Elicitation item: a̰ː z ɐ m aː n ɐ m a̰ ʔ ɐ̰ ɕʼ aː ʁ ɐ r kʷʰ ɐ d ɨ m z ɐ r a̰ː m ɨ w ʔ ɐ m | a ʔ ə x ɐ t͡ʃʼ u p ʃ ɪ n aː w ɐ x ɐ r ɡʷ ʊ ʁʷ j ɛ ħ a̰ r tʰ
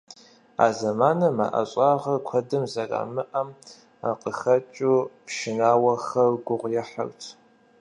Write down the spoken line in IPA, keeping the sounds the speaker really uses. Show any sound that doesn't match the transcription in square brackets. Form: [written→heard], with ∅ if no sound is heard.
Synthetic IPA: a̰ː z ɐ m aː n ɐ m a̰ ʔ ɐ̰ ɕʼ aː ʁ ɐ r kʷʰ ɐ d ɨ m z ɐ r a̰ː m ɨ [w→∅] ʔ ɐ m | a [ʔ→q] ə x ɐ t͡ʃʼ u p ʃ ɪ n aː w ɐ x ɐ r ɡʷ ʊ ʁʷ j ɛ ħ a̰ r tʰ